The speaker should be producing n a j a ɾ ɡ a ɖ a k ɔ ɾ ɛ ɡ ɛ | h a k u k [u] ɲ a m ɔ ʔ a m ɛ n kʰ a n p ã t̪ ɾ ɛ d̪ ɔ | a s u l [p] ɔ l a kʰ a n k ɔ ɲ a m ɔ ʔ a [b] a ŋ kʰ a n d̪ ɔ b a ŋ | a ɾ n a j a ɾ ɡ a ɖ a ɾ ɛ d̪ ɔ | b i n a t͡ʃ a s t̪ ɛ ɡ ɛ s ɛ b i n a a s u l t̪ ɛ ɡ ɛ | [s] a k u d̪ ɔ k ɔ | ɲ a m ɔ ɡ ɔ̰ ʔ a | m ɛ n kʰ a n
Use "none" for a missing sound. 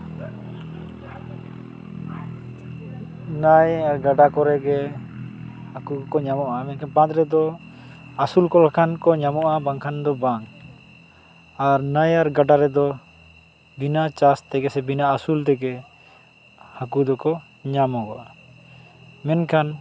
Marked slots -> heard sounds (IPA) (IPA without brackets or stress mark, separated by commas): ɔ, k, b, h